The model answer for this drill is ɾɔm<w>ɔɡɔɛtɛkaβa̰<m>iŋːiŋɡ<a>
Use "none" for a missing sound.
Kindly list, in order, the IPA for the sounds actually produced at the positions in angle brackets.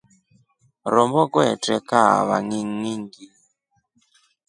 b, ŋ, i

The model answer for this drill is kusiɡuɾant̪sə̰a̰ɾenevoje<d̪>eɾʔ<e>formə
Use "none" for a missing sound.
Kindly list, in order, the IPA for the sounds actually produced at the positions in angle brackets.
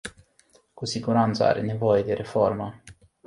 d̪, e

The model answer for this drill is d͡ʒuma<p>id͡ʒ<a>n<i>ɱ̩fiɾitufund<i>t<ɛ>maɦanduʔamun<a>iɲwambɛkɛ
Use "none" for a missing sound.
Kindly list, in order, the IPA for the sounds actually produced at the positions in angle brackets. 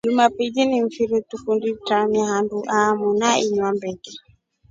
p, i, i, i, a, a

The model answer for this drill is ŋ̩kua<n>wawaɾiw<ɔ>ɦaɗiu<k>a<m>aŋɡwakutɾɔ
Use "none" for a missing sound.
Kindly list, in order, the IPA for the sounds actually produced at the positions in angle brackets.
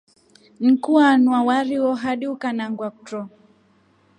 n, ɔ, k, n

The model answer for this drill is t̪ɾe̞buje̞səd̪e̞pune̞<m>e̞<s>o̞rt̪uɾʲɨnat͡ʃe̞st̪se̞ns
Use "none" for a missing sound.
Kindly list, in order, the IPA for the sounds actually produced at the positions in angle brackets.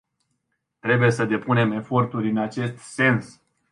m, f

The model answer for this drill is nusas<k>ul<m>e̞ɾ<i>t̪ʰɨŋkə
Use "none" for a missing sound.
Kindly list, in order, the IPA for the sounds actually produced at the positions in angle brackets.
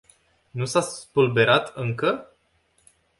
p, b, a

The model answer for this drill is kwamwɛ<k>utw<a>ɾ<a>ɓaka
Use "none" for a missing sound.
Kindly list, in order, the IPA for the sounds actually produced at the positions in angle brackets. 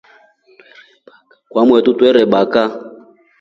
t, ɛ, ɛ

